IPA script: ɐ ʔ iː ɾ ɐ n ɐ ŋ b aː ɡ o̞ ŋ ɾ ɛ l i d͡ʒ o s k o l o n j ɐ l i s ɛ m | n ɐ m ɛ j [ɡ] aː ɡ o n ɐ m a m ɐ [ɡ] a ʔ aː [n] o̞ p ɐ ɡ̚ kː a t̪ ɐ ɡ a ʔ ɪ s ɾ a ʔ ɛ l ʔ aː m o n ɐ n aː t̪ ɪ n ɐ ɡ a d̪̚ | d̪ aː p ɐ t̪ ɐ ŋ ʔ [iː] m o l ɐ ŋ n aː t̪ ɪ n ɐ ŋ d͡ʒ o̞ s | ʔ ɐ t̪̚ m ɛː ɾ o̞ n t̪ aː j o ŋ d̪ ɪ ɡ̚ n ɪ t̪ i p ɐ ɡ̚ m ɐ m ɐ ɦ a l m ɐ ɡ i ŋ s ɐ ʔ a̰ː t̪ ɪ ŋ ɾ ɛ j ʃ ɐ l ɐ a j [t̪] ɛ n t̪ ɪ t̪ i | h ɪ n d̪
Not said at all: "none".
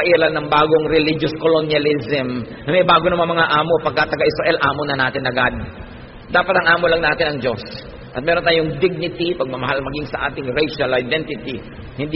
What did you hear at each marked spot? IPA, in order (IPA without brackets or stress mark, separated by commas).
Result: b, ŋ, m, aː, d̪